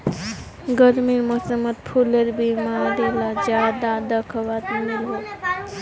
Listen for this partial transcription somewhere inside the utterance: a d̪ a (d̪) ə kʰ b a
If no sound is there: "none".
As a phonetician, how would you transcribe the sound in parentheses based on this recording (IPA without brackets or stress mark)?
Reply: d̪